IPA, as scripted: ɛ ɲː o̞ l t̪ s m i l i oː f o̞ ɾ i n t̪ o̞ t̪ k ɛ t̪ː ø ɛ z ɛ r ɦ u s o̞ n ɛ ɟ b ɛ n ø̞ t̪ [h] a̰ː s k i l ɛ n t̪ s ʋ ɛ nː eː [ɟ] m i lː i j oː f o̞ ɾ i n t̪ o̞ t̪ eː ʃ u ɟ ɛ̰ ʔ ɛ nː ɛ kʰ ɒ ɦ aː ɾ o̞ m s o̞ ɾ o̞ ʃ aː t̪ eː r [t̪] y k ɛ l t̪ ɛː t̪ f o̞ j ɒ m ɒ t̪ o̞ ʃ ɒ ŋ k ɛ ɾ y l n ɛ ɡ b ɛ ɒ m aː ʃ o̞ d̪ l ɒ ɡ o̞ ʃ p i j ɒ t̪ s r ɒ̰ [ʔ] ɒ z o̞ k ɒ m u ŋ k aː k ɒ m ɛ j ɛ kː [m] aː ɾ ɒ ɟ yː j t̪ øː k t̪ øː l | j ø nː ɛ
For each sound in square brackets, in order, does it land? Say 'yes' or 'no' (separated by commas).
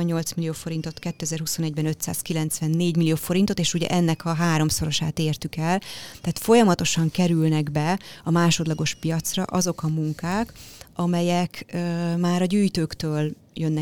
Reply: no, yes, yes, yes, yes